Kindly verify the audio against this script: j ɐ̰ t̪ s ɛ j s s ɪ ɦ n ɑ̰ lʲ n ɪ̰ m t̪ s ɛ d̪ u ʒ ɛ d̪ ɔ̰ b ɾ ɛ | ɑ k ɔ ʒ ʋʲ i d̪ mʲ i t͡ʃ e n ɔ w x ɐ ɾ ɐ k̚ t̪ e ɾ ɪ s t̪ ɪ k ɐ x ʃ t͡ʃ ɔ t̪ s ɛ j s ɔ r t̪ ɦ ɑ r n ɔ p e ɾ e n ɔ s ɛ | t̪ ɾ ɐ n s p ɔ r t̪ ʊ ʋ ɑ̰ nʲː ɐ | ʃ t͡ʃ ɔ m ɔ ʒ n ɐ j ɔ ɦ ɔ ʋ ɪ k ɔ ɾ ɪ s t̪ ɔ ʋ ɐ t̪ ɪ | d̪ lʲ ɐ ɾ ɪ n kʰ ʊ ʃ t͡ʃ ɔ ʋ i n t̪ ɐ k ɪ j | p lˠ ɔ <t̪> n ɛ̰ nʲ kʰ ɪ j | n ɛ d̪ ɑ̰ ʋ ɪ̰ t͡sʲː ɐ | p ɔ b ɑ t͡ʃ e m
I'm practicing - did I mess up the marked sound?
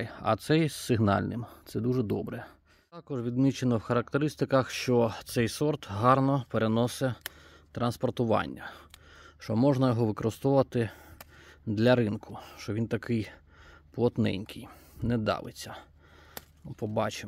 no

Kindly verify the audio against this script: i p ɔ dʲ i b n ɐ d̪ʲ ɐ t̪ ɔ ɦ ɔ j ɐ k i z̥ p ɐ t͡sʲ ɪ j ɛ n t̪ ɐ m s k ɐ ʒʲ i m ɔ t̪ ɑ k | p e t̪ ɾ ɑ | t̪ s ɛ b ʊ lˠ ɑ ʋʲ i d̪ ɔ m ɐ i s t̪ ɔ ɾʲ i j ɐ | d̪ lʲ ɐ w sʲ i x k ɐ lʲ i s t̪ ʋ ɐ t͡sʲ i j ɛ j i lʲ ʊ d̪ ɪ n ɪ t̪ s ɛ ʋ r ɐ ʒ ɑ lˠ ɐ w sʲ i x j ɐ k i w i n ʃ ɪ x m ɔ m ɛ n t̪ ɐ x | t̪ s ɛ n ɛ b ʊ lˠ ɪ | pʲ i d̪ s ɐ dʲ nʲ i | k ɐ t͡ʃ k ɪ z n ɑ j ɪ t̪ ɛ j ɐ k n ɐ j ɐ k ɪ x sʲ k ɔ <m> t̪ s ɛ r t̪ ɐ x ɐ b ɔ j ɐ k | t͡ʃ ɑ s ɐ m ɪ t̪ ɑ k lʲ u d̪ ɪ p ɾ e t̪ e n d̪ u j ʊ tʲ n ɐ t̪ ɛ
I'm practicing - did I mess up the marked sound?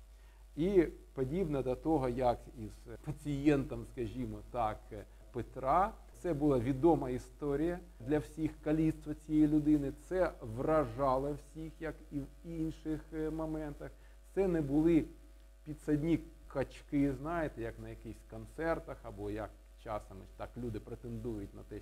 yes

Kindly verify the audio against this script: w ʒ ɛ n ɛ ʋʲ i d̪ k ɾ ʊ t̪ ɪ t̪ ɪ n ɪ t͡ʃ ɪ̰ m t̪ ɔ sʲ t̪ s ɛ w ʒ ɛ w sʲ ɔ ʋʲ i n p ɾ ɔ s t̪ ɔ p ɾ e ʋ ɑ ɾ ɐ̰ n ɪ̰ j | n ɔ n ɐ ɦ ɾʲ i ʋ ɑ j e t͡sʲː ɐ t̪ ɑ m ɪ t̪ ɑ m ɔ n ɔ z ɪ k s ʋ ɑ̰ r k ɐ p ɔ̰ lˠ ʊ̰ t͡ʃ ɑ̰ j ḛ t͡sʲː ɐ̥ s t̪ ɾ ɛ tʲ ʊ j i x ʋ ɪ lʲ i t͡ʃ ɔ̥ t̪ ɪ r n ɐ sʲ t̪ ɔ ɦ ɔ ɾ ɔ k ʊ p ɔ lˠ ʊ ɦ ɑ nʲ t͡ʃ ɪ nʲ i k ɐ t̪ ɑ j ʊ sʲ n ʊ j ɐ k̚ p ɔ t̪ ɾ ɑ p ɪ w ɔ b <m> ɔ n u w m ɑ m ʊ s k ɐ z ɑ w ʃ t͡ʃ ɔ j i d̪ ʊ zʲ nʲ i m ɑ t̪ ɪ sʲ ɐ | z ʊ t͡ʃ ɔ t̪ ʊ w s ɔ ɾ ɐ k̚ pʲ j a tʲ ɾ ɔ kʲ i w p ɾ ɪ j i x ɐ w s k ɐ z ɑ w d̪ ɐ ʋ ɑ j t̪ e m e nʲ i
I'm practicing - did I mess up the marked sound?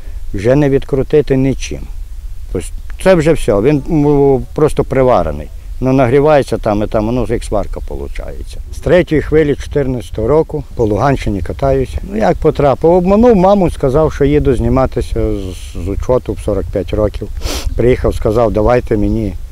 no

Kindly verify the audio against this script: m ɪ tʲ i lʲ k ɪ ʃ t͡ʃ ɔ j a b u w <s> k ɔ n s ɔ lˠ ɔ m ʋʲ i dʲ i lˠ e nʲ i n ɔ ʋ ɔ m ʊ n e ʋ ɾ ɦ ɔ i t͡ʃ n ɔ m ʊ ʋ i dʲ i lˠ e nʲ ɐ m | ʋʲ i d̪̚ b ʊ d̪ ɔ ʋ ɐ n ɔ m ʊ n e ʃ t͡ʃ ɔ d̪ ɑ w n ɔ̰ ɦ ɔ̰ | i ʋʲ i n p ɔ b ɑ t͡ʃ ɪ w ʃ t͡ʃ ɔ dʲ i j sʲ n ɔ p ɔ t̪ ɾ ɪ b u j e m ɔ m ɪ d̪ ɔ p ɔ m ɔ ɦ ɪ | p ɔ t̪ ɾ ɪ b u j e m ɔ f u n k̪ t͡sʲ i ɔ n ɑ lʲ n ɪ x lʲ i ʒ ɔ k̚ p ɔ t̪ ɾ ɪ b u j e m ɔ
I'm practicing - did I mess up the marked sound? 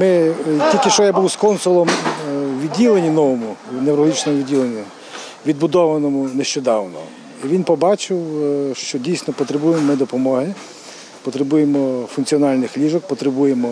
no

